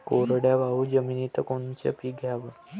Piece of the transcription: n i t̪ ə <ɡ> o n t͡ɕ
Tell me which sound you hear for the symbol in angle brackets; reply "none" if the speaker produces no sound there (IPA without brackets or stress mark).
k